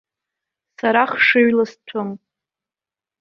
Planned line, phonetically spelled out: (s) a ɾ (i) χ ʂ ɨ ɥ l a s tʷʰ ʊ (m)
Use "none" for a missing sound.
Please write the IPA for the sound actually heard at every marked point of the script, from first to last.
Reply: s, a, m

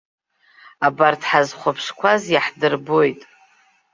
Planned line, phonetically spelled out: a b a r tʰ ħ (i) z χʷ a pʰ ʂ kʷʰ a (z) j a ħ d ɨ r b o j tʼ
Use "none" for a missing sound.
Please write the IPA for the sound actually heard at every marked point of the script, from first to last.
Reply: a, z

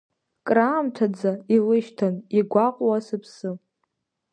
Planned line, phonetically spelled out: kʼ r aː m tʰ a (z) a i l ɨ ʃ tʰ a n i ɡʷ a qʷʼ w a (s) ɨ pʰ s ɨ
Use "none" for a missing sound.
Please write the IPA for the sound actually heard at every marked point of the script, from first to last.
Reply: d͡z, s

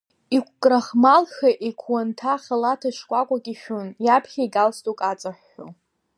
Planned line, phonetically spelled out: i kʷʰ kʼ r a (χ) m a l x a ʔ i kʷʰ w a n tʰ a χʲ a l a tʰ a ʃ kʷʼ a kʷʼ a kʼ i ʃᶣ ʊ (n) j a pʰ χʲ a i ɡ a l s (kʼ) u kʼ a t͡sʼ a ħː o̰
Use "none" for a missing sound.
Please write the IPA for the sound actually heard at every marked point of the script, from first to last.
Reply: χ, n, tʼ

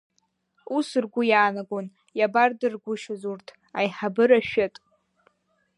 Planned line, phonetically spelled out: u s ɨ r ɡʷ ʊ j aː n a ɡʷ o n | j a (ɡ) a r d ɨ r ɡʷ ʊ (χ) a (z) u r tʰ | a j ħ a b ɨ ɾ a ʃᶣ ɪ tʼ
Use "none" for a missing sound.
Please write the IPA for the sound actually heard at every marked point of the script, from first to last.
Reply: b, ʃ, z

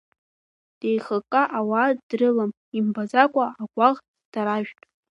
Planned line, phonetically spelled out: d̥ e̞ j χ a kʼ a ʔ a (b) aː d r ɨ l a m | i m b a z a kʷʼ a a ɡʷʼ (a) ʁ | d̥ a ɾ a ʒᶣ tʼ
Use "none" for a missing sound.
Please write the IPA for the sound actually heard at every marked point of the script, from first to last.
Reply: w, a

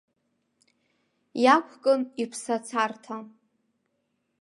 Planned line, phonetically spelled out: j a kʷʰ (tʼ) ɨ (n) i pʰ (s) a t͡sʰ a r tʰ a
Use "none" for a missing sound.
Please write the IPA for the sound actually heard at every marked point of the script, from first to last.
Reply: kʼ, n, s

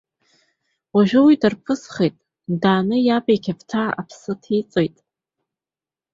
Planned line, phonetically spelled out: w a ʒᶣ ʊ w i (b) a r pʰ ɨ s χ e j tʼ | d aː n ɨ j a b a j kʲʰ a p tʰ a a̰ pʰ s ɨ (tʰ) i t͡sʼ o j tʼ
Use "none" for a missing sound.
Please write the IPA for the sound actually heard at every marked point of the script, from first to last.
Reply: d, tʰ

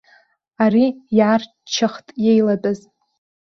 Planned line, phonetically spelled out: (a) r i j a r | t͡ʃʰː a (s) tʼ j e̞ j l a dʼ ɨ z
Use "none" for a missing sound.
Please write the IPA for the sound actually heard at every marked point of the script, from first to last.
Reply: a, χ

